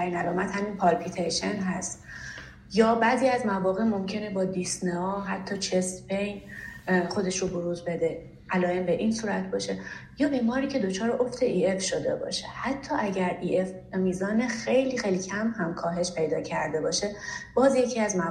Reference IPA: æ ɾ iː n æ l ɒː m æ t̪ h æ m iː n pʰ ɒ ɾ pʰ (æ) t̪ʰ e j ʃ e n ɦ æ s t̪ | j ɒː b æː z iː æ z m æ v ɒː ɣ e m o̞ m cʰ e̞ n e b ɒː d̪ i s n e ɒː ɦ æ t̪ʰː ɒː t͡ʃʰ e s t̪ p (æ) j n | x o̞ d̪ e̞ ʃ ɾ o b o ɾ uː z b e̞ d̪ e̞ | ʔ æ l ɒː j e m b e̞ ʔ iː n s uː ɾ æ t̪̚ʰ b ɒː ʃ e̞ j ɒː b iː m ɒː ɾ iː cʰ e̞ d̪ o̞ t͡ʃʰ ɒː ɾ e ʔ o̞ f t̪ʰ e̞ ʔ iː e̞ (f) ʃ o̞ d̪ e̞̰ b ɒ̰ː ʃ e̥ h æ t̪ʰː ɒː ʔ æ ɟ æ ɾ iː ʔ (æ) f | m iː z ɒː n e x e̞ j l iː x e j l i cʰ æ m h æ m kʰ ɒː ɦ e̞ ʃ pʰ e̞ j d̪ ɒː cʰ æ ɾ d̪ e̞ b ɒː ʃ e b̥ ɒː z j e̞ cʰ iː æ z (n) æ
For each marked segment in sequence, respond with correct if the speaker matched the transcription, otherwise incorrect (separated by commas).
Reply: incorrect, incorrect, correct, incorrect, incorrect